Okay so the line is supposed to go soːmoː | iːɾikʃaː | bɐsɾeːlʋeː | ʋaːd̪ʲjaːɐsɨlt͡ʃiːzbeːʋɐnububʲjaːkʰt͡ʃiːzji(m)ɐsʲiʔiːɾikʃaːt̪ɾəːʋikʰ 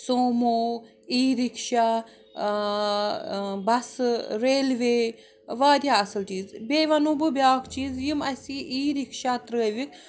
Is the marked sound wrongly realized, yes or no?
no